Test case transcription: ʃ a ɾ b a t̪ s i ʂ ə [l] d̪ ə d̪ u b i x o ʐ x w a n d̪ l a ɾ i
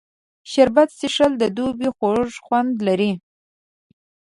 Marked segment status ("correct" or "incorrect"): correct